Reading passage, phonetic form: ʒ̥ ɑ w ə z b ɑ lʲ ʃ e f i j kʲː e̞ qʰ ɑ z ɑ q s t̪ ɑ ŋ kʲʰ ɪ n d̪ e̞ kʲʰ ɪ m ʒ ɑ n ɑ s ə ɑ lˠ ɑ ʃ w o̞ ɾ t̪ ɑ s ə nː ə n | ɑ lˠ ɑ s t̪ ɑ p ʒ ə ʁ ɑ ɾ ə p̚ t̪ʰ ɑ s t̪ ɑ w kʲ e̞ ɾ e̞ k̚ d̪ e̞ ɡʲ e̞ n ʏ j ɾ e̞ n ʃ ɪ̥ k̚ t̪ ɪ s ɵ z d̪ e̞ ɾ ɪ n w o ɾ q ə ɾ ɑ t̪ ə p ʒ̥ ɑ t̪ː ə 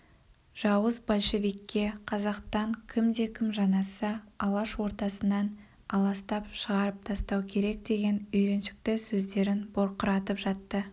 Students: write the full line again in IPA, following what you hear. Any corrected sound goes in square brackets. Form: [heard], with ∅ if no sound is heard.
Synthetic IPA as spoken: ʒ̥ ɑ w ə z b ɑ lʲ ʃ e [v] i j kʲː e̞ qʰ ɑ z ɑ q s t̪ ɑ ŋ kʲʰ ɪ [m] d̪ e̞ kʲʰ ɪ m ʒ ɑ n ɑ s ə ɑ lˠ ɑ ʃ w o̞ ɾ t̪ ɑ s ə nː [ɑ] n | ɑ lˠ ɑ s t̪ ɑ p [ʃ] ə ʁ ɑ ɾ ə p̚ t̪ʰ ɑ s t̪ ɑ w [kʲʰ] e̞ ɾ e̞ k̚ d̪ e̞ ɡʲ e̞ n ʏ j ɾ e̞ n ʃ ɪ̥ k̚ t̪ ɪ s ɵ z d̪ e̞ ɾ ɪ n [b] o ɾ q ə ɾ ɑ t̪ ə p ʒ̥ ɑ t̪ː ə